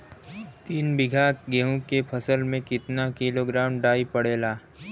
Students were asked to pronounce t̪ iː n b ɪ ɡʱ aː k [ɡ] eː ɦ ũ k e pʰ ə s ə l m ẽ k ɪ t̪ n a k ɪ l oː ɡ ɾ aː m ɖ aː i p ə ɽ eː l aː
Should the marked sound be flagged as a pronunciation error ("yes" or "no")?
no